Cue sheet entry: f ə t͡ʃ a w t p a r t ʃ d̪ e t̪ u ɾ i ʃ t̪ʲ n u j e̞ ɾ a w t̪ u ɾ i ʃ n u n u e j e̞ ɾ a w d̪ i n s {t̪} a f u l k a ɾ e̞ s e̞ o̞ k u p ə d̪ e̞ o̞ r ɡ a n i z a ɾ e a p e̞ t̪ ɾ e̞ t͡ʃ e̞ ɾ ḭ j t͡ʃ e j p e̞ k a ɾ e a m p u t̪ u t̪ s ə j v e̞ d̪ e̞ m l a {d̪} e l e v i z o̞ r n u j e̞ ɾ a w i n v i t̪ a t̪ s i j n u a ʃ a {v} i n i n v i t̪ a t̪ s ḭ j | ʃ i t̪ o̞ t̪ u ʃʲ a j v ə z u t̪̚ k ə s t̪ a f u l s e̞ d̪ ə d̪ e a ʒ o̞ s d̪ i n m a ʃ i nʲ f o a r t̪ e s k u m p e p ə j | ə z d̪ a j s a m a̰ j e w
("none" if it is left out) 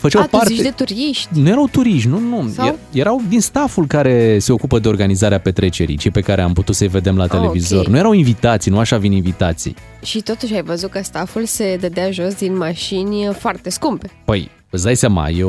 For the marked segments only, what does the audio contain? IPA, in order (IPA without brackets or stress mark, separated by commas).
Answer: t̪, t̪, v